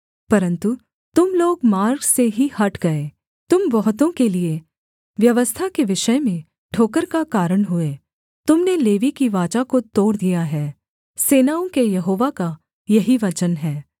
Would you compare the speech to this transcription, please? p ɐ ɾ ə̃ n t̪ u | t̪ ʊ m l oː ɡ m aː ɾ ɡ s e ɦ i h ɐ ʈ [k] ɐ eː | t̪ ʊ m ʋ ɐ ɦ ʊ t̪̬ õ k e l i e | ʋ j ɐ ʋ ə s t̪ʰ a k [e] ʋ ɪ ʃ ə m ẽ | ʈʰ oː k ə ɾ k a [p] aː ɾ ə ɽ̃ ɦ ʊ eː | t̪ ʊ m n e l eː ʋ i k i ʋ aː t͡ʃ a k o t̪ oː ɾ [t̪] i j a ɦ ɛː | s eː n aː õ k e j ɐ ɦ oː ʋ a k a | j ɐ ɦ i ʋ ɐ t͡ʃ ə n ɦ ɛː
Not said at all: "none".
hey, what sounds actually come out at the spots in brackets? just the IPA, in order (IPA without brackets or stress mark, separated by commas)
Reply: ɡ, e, k, d̪